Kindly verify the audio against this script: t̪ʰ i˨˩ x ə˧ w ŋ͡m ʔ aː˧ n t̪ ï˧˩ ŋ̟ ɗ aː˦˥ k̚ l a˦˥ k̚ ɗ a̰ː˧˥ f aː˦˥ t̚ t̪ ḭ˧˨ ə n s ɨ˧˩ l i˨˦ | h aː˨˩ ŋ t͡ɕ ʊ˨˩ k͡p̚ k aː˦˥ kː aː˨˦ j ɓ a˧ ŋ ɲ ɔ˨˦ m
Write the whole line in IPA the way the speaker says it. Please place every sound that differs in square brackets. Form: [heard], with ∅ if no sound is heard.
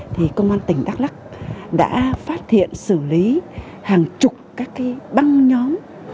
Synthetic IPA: t̪ʰ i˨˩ [k] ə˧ w ŋ͡m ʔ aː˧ n t̪ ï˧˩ ŋ̟ ɗ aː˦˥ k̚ l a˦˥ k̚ ɗ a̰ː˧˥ f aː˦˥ t̚ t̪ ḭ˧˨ ə n s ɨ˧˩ l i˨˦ | h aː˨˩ ŋ t͡ɕ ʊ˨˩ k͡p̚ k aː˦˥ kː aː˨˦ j ɓ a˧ ŋ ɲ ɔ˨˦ m